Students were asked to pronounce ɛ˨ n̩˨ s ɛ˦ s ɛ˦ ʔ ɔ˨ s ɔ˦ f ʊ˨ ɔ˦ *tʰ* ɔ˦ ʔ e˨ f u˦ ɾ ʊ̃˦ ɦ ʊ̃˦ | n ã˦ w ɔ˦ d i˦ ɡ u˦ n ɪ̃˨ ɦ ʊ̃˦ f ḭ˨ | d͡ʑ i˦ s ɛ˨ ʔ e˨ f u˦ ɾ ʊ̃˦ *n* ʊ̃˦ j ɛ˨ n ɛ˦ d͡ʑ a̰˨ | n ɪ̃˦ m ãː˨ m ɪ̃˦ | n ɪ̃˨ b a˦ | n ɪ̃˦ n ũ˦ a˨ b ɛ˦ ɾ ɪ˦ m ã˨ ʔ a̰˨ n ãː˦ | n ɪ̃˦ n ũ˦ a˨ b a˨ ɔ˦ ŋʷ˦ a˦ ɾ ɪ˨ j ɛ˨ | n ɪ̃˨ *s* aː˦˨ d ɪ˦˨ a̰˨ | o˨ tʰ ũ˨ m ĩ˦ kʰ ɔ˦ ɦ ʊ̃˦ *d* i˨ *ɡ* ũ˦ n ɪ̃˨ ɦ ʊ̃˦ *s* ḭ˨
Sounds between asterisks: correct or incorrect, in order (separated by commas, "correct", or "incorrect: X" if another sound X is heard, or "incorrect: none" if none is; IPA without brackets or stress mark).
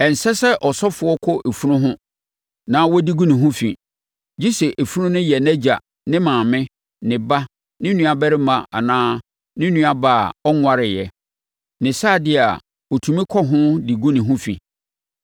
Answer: incorrect: kʰ, correct, correct, correct, correct, incorrect: f